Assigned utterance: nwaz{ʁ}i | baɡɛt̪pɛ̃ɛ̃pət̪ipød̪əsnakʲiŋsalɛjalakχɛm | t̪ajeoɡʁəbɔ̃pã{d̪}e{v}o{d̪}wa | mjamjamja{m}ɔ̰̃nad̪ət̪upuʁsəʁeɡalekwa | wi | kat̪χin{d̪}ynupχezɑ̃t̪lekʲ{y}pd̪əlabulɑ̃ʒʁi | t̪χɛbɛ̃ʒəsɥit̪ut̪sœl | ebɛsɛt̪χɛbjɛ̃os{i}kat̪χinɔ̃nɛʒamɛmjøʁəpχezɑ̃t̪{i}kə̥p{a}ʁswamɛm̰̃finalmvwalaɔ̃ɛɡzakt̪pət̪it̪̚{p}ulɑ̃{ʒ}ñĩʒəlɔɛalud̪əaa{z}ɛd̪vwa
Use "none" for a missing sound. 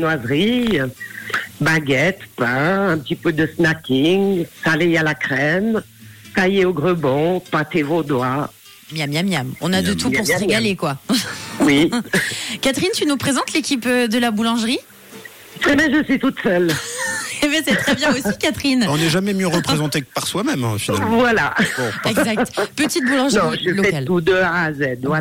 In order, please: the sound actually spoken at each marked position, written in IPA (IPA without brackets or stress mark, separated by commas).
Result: ʁ, t̪, v, d̪, m, t̪, i, i, e, a, b, ʒ, z